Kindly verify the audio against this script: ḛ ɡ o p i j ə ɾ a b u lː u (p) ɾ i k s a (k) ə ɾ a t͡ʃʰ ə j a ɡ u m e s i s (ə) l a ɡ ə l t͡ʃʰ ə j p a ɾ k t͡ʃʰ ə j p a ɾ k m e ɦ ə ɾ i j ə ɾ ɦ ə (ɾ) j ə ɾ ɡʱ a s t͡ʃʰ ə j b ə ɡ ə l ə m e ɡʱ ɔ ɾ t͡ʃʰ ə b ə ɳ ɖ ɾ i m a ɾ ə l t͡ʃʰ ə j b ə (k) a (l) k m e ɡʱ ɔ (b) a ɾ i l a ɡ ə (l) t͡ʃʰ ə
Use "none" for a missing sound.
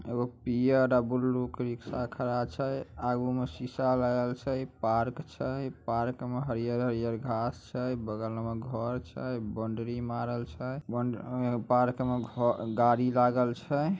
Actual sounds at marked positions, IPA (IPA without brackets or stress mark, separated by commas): k, kʰ, a, ɾ, p, ɾ, ɡ, l